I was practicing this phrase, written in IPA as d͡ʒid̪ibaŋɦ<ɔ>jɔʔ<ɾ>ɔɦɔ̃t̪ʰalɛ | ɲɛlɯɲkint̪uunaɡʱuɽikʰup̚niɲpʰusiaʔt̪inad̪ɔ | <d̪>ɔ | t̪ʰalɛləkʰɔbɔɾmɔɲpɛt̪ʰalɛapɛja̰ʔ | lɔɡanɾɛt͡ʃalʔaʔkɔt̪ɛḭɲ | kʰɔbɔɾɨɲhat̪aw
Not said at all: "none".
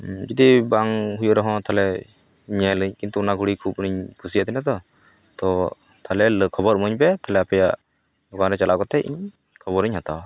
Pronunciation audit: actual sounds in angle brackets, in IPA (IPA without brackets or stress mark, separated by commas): u, ɾ, t̪